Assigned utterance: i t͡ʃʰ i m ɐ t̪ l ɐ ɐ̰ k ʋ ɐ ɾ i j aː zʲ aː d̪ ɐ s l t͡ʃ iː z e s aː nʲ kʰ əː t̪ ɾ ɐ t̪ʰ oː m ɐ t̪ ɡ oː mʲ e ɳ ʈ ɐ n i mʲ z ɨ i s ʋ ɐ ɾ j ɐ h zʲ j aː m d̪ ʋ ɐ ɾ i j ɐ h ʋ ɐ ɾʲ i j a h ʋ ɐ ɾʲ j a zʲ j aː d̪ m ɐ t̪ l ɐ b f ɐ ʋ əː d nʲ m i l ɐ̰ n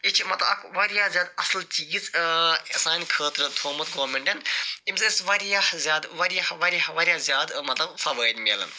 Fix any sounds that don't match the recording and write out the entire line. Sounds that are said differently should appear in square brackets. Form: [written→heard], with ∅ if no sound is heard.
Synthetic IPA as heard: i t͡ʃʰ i m ɐ t̪ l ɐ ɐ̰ k ʋ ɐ ɾ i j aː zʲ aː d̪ ɐ s l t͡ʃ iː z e s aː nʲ kʰ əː t̪ ɾ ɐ t̪ʰ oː m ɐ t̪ ɡ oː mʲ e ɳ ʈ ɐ n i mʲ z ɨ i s ʋ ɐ ɾ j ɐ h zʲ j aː [m→∅] d̪ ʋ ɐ ɾ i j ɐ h ʋ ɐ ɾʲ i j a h ʋ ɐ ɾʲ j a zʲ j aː d̪ m ɐ t̪ l ɐ b f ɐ ʋ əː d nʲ m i l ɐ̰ n

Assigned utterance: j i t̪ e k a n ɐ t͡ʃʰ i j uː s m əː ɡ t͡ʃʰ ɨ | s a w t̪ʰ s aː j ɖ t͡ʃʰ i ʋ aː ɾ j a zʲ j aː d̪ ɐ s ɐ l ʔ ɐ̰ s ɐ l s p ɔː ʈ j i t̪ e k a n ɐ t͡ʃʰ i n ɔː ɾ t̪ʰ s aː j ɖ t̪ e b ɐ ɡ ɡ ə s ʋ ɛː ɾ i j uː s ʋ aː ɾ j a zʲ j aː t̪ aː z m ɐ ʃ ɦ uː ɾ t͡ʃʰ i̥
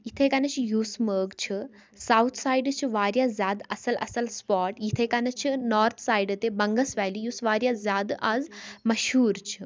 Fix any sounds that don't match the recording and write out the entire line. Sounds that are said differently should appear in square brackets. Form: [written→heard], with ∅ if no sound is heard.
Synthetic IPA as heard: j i [t̪→t̪ʰ] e k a n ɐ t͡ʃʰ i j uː s m əː ɡ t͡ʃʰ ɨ | s a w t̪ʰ s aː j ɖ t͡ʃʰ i ʋ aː ɾ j a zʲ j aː d̪ ɐ s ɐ l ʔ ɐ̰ s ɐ l s p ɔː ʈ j i [t̪→t̪ʰ] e k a n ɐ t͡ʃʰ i n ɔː ɾ t̪ʰ s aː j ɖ t̪ e b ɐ [ɡ→ŋ] ɡ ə s ʋ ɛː [ɾ→l] i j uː s ʋ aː ɾ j a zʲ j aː [t̪→d̪] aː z m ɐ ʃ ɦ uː ɾ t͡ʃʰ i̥

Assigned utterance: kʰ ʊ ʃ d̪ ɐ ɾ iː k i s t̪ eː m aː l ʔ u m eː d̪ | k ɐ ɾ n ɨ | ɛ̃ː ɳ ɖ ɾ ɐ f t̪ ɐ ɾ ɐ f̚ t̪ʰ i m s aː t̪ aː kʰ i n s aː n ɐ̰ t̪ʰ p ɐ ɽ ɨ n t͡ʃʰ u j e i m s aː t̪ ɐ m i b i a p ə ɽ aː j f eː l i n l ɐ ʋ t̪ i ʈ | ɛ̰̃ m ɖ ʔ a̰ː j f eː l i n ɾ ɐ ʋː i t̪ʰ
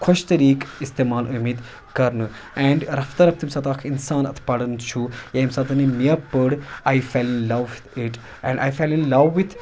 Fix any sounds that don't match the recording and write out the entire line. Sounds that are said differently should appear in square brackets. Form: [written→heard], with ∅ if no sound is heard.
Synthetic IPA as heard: kʰ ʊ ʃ [d̪→t̪] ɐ ɾ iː k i s t̪ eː m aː l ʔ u m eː d̪ | k ɐ ɾ n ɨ | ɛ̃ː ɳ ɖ ɾ ɐ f t̪ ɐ ɾ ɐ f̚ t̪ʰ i m s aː t̪ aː kʰ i n s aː n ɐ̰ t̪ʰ p ɐ ɽ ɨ n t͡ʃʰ u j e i m s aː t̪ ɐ [m→n] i [b→m] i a p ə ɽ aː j f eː l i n l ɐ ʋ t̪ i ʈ | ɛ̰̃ [m→ɳ] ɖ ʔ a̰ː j f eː l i n [ɾ→l] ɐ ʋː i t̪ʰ

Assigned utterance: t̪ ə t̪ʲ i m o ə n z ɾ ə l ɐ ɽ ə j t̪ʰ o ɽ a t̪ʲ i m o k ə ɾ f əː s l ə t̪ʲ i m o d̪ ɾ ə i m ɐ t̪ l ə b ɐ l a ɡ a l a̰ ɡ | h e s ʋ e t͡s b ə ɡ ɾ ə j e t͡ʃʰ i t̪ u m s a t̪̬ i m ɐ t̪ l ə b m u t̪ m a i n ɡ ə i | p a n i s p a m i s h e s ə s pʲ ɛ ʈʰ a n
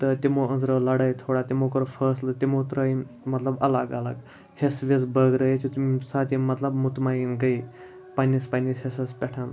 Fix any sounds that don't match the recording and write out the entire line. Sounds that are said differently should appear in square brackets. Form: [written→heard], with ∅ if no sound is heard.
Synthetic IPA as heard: t̪ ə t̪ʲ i m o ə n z ɾ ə l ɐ ɽ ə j t̪ʰ o ɽ a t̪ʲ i m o k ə ɾ f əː s l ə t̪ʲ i m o [d̪→t̪] ɾ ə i m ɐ t̪ l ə b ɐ l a ɡ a l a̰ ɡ | h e s ʋ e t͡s b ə ɡ ɾ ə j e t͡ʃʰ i t̪ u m s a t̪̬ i m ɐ t̪ l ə b m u t̪ m a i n ɡ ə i | p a n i s p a [m→n] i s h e s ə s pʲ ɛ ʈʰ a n

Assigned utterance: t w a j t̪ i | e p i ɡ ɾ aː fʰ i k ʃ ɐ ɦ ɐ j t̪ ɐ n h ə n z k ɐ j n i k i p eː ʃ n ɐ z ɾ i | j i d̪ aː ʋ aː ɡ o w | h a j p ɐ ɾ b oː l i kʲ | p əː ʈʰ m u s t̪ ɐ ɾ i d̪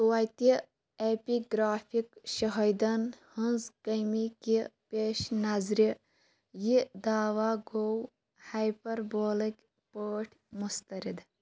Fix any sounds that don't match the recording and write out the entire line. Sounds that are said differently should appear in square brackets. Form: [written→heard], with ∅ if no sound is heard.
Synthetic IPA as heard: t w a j t̪ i | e p i ɡ ɾ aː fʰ i k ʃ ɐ ɦ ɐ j [t̪→d̪] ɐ n h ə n z k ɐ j [n→m] i k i p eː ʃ n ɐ z ɾ i | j i d̪ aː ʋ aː ɡ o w | h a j p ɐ ɾ b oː l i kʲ | p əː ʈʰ m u s t̪ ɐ ɾ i d̪

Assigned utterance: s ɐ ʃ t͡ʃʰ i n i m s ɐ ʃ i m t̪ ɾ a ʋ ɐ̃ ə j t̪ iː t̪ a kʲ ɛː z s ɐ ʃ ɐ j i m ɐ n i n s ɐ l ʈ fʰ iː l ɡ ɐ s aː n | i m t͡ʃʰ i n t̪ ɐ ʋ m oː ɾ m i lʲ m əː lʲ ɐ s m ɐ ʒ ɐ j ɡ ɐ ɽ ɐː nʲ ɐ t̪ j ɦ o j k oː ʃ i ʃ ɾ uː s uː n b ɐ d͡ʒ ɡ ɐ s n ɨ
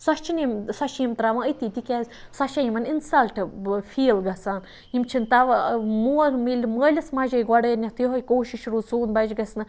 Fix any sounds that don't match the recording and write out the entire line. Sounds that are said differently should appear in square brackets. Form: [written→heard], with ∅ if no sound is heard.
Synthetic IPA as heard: s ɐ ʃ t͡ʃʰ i n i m s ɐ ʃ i m t̪ ɾ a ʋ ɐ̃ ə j t̪ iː t̪ [a→i] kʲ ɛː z s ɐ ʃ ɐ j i m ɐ n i n s ɐ l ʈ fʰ iː l ɡ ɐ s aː n | i m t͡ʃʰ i n t̪ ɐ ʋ m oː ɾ m i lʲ m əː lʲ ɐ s m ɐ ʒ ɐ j ɡ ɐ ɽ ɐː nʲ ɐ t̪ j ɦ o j k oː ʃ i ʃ ɾ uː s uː n b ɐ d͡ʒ ɡ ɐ s n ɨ

